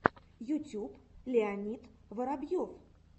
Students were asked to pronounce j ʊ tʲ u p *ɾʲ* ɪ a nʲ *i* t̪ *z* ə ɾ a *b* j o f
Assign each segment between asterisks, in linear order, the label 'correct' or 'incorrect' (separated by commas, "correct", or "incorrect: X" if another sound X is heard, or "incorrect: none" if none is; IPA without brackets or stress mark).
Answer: incorrect: lʲ, correct, incorrect: v, correct